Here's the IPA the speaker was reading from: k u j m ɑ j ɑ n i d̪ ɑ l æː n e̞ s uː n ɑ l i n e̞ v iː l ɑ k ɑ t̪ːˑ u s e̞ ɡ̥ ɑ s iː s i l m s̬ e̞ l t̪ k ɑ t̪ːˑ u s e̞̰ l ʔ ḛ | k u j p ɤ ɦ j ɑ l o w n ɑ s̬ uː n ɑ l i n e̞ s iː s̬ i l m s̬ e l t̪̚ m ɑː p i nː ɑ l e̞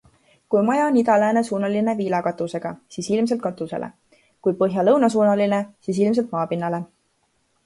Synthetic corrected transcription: k u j m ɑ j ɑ n i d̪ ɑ l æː n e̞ s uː n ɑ l i n e̞ v iː l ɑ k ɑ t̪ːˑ u s e̞ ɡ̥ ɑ s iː s i l m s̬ e̞ l t̪ k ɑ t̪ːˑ u s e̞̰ l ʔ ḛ | k u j p ɤ ɦ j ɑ l ɤ w n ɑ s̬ uː n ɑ l i n e̞ s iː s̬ i l m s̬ e l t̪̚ m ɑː p i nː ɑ l e̞